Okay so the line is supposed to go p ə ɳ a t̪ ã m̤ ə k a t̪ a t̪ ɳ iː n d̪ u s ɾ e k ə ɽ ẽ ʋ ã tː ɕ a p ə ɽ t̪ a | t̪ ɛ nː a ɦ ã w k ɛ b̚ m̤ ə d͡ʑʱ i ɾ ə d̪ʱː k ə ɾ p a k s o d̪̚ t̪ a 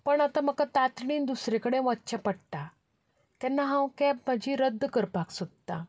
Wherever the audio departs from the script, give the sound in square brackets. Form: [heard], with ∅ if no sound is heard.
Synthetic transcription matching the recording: p ə ɳ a t̪ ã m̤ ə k a t̪ a t̪ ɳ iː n d̪ u s ɾ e k ə ɽ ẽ ʋ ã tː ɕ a p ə ɽ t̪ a | t̪ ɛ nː a ɦ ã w k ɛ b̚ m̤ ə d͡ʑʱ i ɾ ə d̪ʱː k ə ɾ p a k s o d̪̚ t̪ a